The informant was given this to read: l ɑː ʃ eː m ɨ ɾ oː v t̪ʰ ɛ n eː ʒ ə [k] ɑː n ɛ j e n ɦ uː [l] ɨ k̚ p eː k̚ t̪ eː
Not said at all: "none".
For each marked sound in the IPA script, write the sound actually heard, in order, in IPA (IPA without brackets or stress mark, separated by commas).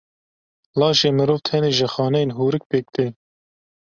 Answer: x, ɾ